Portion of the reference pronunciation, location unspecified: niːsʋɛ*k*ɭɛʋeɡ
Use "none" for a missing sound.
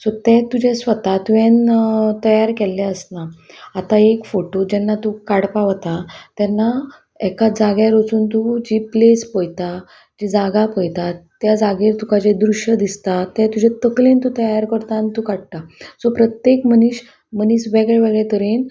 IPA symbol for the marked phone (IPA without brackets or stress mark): ɡ